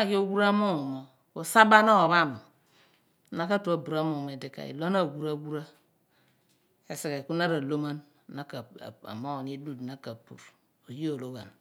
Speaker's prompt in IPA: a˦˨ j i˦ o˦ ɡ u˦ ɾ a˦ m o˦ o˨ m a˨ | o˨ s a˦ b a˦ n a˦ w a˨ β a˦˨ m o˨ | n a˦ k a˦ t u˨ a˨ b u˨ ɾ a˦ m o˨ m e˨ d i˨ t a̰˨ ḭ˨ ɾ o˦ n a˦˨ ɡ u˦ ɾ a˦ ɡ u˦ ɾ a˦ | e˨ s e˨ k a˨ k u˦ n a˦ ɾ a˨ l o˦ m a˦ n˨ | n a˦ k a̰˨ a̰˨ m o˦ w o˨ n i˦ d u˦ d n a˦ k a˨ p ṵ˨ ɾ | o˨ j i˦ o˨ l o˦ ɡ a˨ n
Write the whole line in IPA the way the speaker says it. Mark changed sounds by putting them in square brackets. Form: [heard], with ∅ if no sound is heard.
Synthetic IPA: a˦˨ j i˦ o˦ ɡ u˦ ɾ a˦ m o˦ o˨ m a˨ | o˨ s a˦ b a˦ n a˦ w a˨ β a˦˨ m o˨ | n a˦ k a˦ t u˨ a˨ b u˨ ɾ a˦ m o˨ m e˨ d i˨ [k] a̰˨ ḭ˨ [l] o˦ n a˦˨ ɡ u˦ ɾ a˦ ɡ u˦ ɾ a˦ | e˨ s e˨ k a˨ k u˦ n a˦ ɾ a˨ l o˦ m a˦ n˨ | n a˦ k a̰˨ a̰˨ m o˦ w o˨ n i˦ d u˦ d n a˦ k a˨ p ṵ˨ ɾ | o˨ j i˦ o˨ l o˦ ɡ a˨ n